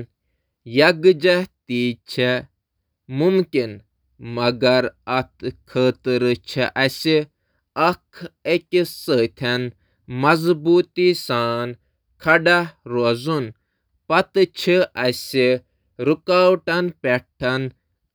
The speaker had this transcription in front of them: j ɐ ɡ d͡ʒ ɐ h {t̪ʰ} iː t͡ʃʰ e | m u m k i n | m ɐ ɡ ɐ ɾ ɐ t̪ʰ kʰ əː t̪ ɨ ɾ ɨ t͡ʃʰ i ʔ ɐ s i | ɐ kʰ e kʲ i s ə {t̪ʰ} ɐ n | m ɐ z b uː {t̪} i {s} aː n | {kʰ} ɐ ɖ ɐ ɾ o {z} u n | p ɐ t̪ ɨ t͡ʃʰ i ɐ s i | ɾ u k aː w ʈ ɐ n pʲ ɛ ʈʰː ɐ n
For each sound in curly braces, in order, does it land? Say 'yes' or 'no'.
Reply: no, yes, yes, yes, yes, yes

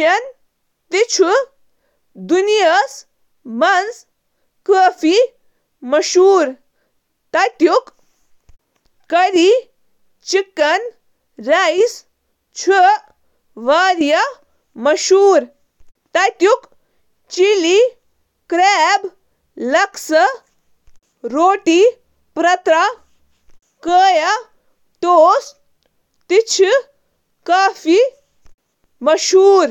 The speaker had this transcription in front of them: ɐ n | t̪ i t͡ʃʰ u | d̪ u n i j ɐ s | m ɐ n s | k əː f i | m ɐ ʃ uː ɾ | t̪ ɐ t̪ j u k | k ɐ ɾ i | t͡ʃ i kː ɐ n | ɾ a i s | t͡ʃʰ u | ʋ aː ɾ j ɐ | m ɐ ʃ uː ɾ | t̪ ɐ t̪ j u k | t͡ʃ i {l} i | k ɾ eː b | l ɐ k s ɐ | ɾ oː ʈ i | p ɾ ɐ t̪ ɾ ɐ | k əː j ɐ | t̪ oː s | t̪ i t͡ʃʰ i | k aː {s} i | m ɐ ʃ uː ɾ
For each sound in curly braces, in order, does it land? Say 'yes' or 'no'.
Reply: yes, no

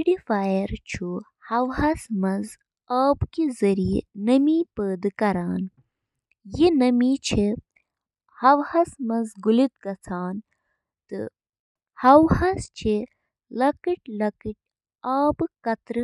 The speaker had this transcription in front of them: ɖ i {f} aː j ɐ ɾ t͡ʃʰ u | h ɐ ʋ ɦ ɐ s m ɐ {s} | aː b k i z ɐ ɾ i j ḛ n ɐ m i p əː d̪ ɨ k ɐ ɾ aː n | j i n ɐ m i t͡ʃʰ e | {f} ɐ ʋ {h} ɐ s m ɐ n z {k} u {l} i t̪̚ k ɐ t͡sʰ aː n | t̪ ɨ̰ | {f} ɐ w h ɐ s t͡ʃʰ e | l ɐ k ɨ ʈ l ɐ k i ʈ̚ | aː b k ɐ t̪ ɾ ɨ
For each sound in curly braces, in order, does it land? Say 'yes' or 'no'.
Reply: yes, no, no, yes, no, yes, no

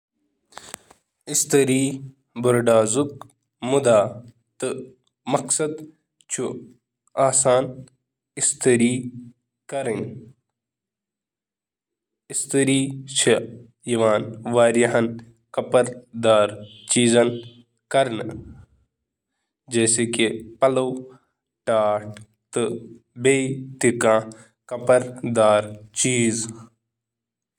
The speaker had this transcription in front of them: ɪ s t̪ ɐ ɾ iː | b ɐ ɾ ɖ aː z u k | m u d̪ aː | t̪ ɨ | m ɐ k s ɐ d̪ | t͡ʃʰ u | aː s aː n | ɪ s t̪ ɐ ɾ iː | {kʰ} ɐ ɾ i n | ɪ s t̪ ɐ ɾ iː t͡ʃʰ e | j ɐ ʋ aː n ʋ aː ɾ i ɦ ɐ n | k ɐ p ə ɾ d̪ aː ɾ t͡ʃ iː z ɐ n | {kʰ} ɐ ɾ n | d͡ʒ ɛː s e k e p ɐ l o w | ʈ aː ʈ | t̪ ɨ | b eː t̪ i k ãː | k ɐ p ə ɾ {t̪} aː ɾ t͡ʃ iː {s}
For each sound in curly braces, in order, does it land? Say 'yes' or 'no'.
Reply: no, no, no, no

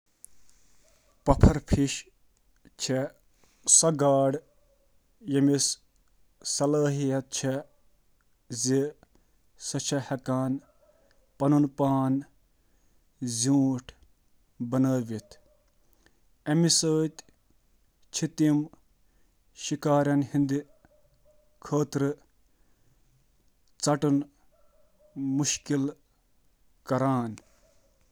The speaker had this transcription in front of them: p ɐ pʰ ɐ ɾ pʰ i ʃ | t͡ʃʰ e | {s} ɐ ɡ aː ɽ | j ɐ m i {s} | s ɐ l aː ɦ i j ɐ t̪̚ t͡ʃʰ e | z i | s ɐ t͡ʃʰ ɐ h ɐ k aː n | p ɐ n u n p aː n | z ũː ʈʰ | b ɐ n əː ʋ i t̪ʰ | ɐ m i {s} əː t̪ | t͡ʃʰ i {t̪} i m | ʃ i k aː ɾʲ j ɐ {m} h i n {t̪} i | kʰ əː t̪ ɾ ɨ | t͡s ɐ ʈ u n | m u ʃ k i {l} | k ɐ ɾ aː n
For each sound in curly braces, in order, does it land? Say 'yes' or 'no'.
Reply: yes, yes, yes, yes, no, no, yes

